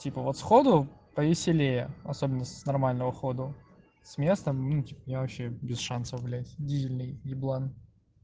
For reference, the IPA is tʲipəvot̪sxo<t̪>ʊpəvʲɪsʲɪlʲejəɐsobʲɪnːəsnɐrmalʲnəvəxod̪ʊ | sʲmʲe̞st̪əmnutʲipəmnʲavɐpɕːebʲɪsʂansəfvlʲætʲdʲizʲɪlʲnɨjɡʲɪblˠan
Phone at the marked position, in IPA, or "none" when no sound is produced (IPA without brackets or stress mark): d̪